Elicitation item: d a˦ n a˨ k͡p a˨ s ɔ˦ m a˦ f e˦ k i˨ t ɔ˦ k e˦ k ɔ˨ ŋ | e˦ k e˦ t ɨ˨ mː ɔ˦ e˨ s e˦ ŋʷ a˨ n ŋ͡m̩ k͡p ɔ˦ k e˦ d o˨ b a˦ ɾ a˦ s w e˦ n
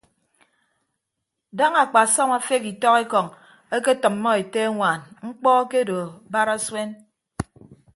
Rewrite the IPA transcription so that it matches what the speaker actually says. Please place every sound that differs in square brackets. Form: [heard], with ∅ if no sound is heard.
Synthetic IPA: d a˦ [ŋ] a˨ k͡p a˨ s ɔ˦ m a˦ f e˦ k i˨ t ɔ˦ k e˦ k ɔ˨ ŋ | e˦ k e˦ t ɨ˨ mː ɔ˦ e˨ [t] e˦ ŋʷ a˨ n ŋ͡m̩ k͡p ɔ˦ k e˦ d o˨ b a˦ ɾ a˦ s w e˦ n